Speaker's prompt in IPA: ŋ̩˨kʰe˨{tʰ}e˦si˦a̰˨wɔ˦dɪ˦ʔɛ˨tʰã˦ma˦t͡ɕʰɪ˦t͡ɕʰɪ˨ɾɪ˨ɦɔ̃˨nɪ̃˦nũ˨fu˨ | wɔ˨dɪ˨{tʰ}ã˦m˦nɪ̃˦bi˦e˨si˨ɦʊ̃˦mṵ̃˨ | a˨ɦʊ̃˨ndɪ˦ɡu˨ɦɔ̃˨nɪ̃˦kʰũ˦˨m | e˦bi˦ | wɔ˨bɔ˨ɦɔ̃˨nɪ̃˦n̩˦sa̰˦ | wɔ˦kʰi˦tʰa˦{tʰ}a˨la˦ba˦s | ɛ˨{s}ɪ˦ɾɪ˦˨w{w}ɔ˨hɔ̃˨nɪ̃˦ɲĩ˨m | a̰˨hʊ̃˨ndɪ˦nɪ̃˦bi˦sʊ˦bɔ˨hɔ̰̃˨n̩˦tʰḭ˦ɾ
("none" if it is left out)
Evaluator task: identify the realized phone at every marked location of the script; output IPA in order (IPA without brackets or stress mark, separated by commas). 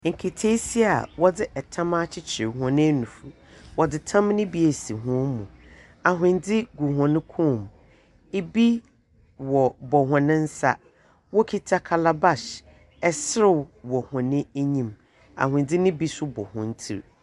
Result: tʰ, tʰ, kʰ, s, w